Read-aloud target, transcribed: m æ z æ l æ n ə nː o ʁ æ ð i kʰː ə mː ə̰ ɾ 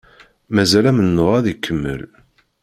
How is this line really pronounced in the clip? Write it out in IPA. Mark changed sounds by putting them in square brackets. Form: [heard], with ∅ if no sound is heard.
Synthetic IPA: m æ z æ l æ [m] ə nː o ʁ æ ð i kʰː ə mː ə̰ [l]